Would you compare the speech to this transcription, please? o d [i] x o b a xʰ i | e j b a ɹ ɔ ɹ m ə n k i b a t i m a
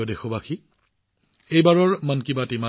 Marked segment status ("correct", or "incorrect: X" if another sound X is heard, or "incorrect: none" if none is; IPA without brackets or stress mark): incorrect: e